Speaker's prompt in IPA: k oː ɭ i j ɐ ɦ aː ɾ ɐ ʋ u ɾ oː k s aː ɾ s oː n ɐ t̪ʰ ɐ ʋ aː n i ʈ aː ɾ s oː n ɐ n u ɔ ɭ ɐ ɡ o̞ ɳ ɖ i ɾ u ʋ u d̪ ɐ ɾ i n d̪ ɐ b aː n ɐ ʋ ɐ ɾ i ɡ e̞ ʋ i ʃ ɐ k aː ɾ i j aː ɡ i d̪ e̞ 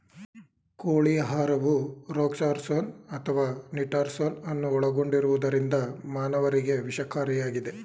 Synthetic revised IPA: k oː ɭ i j ɐ ɦ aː ɾ ɐ ʋ u ɾ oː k s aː ɾ s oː n ɐ t̪ʰ ɐ ʋ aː n i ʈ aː ɾ s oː n ɐ nː u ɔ ɭ ɐ ɡ o̞ ɳ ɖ i ɾ u ʋ u d̪ ɐ ɾ i n d̪ ɐ m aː n ɐ ʋ ɐ ɾ i ɡ e̞ ʋ i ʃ ɐ k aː ɾ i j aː ɡ i d̪ e̞